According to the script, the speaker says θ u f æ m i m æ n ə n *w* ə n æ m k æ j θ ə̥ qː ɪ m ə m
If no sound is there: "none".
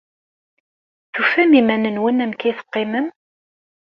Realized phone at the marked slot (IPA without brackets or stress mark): w